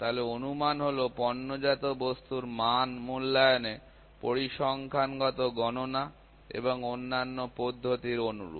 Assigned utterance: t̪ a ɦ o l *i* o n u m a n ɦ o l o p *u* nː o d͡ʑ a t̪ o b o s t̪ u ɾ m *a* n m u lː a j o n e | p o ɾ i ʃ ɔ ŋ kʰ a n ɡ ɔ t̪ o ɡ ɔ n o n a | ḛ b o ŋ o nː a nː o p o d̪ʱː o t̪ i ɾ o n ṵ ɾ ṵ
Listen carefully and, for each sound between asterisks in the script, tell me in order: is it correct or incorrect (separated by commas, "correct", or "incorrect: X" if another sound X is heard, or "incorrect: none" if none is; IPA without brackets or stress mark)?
incorrect: e, incorrect: ɔ, correct